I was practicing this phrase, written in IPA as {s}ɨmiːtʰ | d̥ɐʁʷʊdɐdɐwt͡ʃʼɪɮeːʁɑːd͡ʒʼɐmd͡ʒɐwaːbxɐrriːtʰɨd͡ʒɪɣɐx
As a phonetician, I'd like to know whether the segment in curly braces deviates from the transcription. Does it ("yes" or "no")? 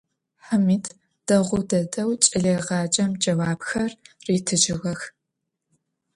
yes